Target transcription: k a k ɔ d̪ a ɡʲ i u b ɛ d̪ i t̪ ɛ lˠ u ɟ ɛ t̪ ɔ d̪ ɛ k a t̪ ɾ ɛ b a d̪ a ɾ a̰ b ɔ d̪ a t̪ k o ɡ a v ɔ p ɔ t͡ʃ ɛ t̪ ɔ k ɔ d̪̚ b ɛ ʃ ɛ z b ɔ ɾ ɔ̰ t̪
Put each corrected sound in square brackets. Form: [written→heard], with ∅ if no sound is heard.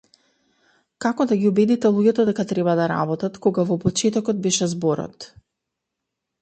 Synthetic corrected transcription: k a k ɔ d̪ a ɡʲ i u b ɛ d̪ i t̪ ɛ lˠ u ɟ ɛ t̪ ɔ d̪ ɛ k a t̪ ɾ ɛ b a d̪ a ɾ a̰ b ɔ [d̪→t̪] a t̪ k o ɡ a v ɔ p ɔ t͡ʃ ɛ t̪ ɔ k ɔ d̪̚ b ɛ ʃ ɛ z b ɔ ɾ ɔ̰ t̪